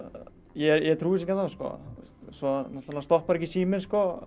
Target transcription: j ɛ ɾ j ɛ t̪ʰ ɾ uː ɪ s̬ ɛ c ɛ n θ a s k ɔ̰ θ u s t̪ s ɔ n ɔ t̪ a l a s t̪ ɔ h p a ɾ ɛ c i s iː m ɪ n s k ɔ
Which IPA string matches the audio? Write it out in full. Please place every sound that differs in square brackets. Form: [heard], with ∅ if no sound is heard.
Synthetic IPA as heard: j ɛ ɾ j ɛ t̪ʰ ɾ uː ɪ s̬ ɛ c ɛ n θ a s k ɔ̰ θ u s t̪ s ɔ n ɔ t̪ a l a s t̪ ɔ h p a ɾ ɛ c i s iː m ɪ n s k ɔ